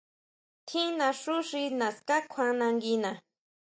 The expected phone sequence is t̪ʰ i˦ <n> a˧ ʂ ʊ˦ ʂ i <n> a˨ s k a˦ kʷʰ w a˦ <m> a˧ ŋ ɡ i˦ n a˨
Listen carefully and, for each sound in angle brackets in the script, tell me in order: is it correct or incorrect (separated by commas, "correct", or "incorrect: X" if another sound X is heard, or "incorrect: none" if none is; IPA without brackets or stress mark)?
correct, correct, incorrect: n